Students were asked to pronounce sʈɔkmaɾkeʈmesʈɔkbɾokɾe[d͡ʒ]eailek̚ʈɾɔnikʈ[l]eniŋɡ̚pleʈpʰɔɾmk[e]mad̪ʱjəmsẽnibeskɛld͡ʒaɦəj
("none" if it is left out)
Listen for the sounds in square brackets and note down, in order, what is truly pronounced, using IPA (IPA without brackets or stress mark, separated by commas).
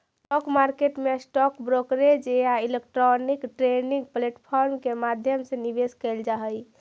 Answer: d͡ʒ, ɾ, e